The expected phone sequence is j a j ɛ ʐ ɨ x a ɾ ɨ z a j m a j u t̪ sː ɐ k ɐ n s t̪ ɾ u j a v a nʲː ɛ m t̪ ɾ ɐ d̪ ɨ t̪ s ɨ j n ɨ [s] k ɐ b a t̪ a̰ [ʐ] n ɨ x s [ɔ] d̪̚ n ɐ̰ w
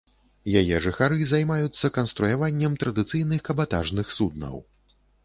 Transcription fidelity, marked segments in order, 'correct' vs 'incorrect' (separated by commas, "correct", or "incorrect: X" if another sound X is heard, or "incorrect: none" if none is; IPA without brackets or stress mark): incorrect: x, correct, incorrect: u